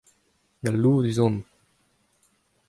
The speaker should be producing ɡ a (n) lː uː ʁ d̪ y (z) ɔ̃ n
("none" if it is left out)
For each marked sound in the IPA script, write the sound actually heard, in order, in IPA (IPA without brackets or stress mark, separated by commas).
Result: none, z